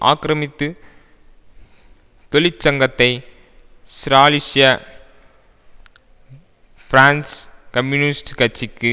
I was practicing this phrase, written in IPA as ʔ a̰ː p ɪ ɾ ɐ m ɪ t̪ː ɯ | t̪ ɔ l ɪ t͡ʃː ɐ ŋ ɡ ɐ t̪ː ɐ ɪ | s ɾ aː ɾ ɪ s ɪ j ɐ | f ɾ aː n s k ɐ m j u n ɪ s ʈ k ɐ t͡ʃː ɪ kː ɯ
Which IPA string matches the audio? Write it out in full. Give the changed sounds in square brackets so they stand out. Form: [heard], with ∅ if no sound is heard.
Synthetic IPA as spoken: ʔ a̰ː [k] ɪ ɾ ɐ m ɪ t̪ː ɯ | t̪ ɔ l ɪ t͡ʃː ɐ ŋ ɡ ɐ t̪ː ɐ ɪ | s ɾ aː [l] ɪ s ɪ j ɐ | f ɾ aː n s k ɐ m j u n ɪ s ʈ k ɐ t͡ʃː ɪ kː ɯ

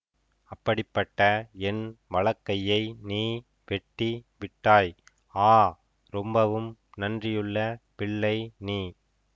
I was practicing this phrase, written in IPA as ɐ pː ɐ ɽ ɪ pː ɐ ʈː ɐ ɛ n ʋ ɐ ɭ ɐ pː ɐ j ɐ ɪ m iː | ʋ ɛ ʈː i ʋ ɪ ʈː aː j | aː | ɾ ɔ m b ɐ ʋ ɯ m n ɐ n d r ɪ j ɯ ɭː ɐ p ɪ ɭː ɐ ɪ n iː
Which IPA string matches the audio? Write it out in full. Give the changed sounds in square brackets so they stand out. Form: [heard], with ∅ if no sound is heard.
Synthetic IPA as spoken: ɐ pː ɐ ɽ ɪ pː ɐ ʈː ɐ ɛ n ʋ ɐ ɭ ɐ [kː] ɐ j ɐ ɪ [n] iː | ʋ ɛ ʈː i ʋ ɪ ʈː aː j | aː | ɾ ɔ m b ɐ ʋ ɯ m n ɐ n d r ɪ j ɯ ɭː ɐ p ɪ ɭː ɐ ɪ n iː

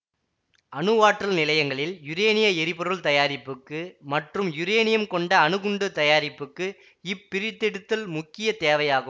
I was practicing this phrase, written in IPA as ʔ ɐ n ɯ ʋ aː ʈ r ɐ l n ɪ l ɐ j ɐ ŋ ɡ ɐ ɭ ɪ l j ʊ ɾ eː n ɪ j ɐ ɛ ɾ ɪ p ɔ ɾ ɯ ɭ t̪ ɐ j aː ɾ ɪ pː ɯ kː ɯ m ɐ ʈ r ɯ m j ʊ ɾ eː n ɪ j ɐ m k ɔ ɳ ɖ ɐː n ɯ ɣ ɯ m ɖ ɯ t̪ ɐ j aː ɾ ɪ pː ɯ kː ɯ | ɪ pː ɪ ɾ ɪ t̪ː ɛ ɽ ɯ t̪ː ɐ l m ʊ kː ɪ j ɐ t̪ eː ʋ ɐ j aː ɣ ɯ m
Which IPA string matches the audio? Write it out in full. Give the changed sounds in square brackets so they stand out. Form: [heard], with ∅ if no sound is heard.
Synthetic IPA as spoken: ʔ ɐ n ɯ ʋ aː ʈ r ɐ l n ɪ l ɐ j ɐ ŋ ɡ ɐ ɭ ɪ l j ʊ ɾ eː n ɪ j ɐ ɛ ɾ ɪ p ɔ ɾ ɯ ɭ t̪ ɐ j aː ɾ ɪ pː ɯ kː ɯ m ɐ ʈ r ɯ m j ʊ ɾ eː n ɪ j ɐ m k ɔ ɳ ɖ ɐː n ɯ ɣ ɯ [ɳ] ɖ ɯ t̪ ɐ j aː ɾ ɪ pː ɯ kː ɯ | ɪ pː ɪ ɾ ɪ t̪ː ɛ ɽ ɯ t̪ː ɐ l m ʊ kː ɪ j ɐ t̪ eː ʋ ɐ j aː ɣ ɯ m

